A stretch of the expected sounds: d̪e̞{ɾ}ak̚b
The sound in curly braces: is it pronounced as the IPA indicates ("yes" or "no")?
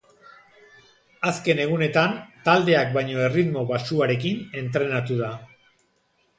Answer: no